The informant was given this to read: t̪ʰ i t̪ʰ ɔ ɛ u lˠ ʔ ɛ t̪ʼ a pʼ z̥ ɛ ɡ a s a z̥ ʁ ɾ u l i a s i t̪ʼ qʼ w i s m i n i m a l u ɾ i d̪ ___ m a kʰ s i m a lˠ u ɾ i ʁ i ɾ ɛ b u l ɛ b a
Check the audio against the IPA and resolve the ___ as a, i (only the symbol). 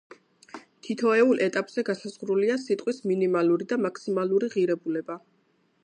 a